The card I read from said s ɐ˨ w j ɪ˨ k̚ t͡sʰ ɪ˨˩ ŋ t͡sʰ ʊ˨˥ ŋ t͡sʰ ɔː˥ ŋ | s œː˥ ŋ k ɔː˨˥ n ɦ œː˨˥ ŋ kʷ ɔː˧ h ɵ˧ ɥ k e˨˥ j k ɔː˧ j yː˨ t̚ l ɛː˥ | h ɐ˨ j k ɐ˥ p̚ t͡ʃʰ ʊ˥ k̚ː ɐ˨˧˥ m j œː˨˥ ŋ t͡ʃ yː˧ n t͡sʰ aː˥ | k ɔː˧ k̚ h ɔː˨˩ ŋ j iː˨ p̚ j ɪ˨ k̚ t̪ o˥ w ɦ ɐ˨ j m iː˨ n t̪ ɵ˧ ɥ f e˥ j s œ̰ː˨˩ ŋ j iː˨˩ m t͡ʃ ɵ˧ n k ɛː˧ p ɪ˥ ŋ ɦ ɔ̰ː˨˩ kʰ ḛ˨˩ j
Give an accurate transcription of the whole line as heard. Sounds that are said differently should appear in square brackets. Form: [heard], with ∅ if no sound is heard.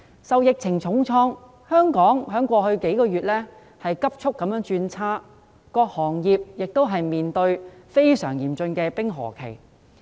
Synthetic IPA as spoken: s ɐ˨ w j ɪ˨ k̚ t͡sʰ ɪ˨˩ ŋ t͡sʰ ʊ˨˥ ŋ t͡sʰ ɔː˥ ŋ | [h] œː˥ ŋ k ɔː˨˥ [ŋ] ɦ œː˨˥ ŋ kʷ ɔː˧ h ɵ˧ ɥ k e˨˥ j k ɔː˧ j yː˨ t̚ l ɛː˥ | h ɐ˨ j k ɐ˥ p̚ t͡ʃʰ ʊ˥ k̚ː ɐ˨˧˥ m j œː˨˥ ŋ t͡ʃ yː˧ n t͡sʰ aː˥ | k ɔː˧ k̚ h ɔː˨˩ ŋ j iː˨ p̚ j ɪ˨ k̚ t̪ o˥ w ɦ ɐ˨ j m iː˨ n t̪ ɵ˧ ɥ f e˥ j s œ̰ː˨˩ ŋ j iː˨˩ m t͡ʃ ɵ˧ n k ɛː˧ p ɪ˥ ŋ ɦ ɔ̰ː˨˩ kʰ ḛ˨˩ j